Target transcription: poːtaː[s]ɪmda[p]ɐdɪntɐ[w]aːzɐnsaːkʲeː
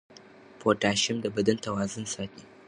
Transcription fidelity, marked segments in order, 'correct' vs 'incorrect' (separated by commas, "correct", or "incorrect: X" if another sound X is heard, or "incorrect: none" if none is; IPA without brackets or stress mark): incorrect: ʃ, incorrect: b, correct